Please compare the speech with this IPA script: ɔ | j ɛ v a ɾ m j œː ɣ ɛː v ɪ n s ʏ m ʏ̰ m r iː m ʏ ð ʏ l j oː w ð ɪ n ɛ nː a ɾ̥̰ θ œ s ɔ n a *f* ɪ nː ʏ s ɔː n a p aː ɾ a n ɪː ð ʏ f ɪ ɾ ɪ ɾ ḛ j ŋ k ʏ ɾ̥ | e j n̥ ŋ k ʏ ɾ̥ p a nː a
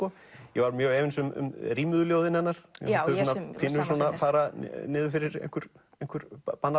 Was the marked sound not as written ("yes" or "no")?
no